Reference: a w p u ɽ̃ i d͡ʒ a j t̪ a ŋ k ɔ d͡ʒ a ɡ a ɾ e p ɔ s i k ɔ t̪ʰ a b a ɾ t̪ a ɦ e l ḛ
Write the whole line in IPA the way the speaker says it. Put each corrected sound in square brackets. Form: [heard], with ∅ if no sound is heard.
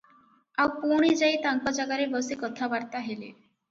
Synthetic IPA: a w p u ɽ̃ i d͡ʒ a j t̪ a ŋ k ɔ d͡ʒ a ɡ a ɾ e [b] ɔ s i k ɔ t̪ʰ a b a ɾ t̪ a ɦ e l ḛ